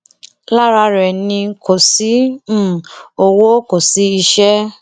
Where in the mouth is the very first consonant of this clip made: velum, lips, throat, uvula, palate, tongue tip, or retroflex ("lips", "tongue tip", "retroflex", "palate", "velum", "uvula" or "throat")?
tongue tip